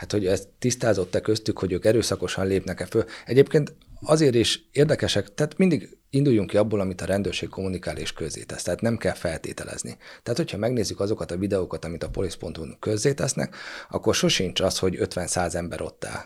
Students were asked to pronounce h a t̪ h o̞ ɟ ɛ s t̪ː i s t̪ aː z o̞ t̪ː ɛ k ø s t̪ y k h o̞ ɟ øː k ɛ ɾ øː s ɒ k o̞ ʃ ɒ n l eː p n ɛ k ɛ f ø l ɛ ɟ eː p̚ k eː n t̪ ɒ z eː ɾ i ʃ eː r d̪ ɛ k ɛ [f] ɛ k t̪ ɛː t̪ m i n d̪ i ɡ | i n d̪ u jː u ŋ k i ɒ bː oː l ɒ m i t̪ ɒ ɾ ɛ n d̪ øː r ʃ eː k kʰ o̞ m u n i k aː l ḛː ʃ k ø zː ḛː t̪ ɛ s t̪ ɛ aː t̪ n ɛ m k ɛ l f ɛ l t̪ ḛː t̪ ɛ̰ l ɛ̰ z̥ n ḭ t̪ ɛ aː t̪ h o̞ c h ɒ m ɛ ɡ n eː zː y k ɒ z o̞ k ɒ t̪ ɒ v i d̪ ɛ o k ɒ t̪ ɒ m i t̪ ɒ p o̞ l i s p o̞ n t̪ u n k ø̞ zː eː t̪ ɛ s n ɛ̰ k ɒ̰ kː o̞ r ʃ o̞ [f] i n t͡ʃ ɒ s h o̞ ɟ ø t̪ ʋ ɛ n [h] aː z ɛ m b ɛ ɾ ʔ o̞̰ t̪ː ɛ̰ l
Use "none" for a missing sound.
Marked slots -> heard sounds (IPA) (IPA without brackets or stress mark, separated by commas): ʃ, ʃ, s